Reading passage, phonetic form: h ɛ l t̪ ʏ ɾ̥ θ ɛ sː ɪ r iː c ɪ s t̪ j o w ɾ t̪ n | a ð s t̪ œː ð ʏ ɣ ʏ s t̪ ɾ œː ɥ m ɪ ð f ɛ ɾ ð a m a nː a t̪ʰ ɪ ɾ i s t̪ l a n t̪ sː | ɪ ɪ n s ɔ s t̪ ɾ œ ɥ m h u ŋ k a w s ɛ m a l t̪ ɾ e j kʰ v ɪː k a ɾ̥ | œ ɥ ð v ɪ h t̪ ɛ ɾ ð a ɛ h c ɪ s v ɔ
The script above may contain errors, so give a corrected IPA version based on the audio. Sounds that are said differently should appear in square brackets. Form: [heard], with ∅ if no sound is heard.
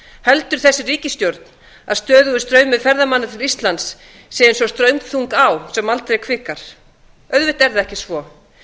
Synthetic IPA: h ɛ l t̪ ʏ ɾ̥ θ ɛ sː ɪ r iː c ɪ s t̪ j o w ɾ t̪ n | a ð s t̪ œː ð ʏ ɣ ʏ s t̪ ɾ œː ɥ m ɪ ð f ɛ ɾ ð a m a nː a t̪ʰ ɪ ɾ i s t̪ l a n t̪ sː | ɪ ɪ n s ɔ s t̪ ɾ œ ɥ m [θ] u ŋ k a w s ɛ m a l t̪ ɾ e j kʰ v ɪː k a ɾ̥ | œ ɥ ð v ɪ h t̪ ɛ ɾ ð a ɛ h c ɪ s v ɔ